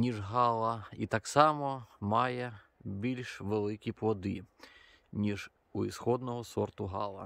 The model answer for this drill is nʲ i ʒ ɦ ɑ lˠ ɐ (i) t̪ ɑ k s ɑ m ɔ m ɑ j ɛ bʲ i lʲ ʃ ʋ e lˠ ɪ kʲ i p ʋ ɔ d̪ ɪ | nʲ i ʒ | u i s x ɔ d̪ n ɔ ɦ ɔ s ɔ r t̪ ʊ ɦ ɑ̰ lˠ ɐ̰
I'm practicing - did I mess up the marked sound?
no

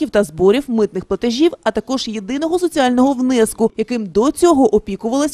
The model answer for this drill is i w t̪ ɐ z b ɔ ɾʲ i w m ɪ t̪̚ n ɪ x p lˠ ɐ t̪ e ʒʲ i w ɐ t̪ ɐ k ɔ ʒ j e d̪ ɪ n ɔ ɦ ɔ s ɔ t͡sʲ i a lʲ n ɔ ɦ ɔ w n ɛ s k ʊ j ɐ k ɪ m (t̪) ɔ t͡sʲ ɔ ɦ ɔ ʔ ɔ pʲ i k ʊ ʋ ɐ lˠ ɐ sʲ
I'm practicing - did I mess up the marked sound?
yes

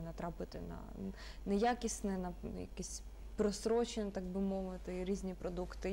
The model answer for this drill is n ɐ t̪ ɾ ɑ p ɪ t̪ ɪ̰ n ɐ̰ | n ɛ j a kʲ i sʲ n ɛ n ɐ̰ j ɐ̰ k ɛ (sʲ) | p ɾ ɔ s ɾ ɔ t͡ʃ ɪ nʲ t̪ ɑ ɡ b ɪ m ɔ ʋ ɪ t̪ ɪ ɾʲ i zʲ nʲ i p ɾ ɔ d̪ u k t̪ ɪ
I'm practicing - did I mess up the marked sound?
no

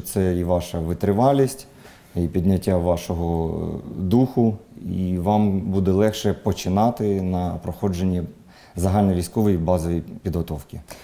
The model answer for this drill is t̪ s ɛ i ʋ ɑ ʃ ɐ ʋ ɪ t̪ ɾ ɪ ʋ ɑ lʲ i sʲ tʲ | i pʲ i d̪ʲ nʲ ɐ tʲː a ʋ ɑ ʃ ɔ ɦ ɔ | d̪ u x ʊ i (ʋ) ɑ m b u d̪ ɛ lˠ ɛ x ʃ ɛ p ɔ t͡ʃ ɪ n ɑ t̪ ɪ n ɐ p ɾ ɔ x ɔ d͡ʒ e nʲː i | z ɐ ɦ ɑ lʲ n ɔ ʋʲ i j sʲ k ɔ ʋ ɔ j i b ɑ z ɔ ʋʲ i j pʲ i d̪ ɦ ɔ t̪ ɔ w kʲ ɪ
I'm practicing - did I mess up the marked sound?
no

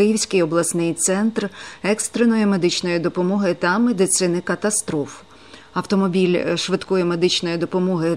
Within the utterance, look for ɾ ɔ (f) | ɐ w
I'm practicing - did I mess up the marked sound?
no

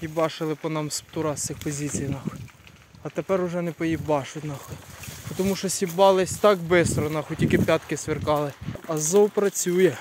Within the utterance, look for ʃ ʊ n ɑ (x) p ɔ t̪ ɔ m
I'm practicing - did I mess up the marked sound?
no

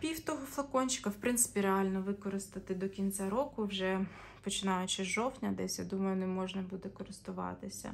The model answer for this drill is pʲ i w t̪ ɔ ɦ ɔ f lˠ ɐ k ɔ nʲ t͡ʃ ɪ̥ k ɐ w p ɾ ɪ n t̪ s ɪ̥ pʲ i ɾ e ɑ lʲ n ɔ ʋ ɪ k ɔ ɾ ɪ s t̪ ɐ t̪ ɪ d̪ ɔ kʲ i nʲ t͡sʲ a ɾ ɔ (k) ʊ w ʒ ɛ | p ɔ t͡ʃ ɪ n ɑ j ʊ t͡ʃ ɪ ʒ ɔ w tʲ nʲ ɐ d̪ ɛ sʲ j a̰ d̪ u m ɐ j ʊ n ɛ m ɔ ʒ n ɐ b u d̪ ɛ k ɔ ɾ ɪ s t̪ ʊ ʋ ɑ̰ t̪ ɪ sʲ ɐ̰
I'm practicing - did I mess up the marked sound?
no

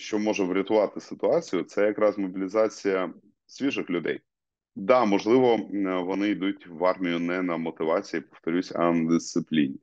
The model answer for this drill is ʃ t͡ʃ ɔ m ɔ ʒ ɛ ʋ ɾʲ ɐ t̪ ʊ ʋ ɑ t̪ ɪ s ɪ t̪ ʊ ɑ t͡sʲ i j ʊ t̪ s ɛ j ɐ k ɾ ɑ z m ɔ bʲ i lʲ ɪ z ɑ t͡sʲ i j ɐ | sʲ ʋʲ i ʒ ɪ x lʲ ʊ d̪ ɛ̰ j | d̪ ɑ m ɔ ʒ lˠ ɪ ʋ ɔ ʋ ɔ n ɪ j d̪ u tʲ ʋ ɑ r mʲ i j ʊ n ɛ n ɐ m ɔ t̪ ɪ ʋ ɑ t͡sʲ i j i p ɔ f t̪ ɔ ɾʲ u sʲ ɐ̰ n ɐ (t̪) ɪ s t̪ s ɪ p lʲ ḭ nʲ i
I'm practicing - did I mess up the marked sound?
yes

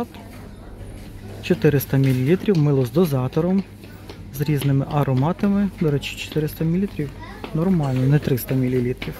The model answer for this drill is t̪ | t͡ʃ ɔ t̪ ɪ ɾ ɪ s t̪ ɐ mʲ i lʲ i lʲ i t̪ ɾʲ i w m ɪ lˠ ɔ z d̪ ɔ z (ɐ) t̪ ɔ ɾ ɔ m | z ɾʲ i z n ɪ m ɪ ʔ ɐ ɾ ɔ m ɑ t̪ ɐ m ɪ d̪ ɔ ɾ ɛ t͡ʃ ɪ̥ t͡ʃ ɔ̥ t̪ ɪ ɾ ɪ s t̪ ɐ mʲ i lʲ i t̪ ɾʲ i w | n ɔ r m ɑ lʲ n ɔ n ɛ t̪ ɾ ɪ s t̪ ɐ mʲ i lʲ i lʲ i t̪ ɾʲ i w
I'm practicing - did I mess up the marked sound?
yes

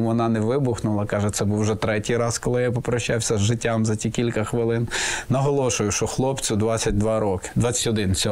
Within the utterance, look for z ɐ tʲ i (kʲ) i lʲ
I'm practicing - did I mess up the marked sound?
no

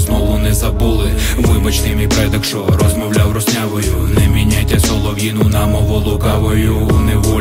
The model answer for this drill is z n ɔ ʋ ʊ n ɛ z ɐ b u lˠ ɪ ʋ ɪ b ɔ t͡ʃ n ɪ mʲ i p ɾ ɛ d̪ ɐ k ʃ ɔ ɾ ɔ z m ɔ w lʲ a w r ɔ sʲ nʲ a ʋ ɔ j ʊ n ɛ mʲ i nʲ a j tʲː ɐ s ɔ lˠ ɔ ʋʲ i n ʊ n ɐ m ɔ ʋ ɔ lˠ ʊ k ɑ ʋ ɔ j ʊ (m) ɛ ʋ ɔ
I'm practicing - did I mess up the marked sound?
yes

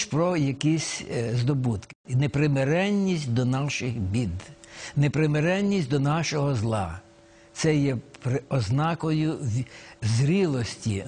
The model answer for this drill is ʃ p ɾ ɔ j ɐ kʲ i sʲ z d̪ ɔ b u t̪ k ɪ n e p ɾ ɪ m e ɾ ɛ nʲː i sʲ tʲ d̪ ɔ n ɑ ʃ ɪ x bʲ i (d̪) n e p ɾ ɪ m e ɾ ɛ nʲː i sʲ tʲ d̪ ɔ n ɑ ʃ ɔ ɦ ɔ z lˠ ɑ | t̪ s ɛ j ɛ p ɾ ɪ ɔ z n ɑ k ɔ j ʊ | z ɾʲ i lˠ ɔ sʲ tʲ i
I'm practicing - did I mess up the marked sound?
no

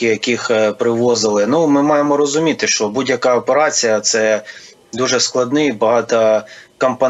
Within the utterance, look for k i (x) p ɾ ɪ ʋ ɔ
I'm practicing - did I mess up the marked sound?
no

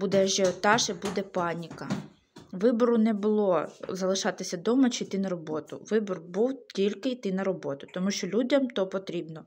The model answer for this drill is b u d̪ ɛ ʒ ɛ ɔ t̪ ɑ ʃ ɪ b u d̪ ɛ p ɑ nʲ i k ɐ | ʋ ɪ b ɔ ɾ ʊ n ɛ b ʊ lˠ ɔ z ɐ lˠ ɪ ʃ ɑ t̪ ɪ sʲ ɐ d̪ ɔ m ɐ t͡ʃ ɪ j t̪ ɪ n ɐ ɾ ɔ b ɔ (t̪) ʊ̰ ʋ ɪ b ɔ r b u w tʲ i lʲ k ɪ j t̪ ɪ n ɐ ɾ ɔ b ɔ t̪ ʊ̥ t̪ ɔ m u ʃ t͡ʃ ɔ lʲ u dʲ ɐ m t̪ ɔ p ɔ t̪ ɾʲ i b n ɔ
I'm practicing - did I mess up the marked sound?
no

